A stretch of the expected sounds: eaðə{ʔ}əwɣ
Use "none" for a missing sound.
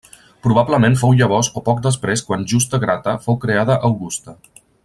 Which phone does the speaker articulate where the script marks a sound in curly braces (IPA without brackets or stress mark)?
ʔ